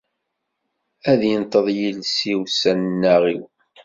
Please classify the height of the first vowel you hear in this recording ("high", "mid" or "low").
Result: low